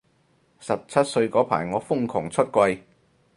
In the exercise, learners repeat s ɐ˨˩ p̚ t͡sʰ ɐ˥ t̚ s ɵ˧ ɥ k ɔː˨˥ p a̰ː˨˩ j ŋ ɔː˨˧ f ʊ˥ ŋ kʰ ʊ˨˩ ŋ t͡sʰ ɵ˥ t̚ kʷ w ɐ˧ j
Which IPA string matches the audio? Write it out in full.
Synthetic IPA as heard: s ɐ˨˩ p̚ t͡sʰ ɐ˥ t̚ s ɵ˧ ɥ k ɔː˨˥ pʰ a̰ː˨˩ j ŋ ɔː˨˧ f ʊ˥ ŋ kʰ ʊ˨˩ ŋ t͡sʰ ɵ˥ t̚ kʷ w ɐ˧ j